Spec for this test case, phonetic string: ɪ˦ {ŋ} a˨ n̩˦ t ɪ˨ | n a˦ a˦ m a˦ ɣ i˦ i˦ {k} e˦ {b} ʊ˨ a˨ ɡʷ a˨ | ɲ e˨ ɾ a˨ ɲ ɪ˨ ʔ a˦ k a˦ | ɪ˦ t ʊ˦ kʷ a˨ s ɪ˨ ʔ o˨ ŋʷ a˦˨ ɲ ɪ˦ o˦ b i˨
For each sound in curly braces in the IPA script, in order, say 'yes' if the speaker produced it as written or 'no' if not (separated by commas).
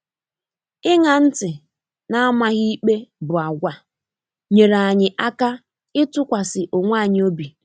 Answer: yes, no, yes